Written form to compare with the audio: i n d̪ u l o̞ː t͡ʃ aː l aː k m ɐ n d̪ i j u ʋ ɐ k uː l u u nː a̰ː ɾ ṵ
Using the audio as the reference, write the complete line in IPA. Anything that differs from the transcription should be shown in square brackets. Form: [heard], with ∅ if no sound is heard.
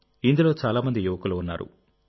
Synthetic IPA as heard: i n d̪ u l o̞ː t͡ʃ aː l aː [∅] m ɐ n d̪ i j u ʋ ɐ k [u] l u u nː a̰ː ɾ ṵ